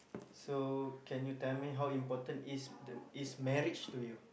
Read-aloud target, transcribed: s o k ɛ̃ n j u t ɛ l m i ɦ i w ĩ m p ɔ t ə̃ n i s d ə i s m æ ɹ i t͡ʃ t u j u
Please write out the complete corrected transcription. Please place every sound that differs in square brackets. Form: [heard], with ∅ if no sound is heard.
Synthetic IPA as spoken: s o k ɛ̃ n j u t ɛ l m i ɦ [a] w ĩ m p ɔ t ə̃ n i s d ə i s m [ɛ] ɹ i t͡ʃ t u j u